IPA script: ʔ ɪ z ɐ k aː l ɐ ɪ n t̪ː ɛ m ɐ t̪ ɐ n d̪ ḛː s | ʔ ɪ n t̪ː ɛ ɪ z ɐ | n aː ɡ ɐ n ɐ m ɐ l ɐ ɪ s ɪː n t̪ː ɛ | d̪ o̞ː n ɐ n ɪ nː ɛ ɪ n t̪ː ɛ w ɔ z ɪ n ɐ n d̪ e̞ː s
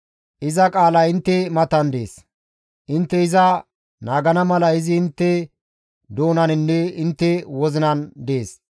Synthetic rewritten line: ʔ ɪ z ɐ kʼ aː l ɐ ɪ n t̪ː ɛ m ɐ t̪ ɐ n d̪ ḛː s | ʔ ɪ n t̪ː ɛ ɪ z ɐ | n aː ɡ ɐ n ɐ m ɐ l ɐ ɪ z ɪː n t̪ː ɛ | d̪ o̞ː n ɐ n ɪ nː ɛ ɪ n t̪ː ɛ w ɔ z ɪ n ɐ n d̪ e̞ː s